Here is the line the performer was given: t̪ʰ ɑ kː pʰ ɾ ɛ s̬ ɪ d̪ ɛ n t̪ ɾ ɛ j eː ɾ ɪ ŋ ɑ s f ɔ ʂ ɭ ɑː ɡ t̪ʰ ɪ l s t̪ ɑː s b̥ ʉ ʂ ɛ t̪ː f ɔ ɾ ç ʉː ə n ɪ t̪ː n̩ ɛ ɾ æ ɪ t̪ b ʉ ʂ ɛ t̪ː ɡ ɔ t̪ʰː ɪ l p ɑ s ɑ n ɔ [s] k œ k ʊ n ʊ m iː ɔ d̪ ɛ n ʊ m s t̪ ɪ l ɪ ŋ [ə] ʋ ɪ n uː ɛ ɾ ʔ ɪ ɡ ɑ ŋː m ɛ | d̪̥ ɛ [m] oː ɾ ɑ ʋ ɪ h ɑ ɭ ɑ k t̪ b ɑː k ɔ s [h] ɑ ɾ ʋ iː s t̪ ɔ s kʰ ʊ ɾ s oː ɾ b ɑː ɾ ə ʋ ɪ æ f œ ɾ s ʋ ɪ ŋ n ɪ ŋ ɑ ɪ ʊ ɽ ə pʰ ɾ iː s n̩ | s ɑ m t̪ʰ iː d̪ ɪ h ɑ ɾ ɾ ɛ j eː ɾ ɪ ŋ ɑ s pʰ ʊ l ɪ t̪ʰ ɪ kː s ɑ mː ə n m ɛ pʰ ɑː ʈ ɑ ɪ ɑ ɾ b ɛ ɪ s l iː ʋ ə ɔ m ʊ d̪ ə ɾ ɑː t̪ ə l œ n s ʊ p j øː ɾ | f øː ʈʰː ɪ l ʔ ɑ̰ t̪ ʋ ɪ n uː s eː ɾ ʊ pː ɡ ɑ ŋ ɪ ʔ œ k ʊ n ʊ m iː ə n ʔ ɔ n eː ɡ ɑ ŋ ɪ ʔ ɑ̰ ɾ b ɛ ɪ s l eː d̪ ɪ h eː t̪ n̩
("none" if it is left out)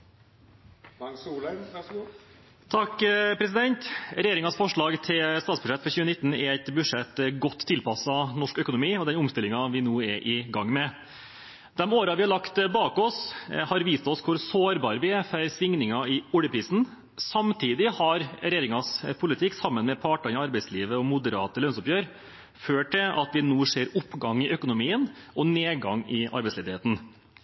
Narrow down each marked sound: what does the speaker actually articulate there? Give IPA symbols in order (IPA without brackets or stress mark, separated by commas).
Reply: ʂ, ɑ, m, h